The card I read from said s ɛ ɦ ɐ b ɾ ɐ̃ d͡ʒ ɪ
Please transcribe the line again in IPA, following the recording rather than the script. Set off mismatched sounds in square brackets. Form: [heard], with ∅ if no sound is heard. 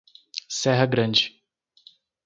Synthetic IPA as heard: s ɛ ɦ ɐ [ɡ] ɾ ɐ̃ d͡ʒ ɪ